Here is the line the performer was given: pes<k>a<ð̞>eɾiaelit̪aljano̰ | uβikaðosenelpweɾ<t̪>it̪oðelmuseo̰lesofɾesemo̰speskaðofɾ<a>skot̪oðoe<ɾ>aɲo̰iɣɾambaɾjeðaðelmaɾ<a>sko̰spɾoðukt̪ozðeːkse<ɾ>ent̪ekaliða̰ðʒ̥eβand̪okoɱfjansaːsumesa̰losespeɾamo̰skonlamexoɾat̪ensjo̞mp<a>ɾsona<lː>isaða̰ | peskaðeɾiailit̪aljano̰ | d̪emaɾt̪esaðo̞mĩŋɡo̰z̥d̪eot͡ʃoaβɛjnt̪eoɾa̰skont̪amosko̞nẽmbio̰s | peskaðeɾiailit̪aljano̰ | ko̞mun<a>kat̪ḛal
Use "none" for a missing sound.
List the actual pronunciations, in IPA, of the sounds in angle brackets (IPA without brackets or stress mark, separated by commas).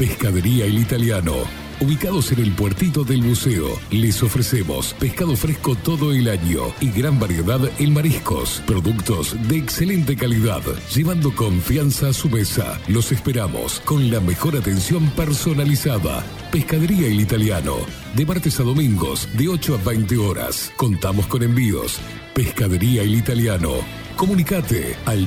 k, ð̞, t̪, e, l, i, l, e, l, i